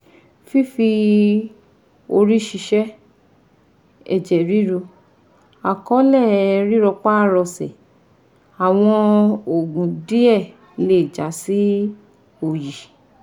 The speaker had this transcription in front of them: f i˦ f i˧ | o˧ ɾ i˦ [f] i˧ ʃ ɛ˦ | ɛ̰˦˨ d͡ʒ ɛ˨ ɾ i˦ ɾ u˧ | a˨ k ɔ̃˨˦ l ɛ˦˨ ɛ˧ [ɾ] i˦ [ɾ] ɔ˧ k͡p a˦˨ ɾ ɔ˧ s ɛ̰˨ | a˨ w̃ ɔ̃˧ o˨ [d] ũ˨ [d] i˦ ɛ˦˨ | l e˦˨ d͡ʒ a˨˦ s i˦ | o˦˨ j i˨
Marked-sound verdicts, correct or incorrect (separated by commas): incorrect, correct, correct, incorrect, correct